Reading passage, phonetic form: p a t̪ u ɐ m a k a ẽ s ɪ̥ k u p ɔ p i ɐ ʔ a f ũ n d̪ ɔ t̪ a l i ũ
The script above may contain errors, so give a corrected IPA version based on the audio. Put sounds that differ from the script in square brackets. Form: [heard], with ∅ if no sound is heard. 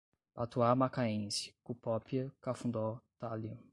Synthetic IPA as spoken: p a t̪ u [a] m a k a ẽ s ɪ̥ k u p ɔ p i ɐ [k] a f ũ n d̪ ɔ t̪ a l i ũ